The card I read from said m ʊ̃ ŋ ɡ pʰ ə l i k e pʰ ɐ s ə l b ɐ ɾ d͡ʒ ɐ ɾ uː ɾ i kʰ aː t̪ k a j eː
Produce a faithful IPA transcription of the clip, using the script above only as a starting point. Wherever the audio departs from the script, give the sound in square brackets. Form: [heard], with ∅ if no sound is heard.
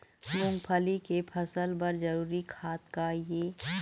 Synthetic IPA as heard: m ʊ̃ ŋ ɡ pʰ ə l i k e pʰ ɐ s ə l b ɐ ɾ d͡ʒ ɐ ɾ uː ɾ i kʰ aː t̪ k a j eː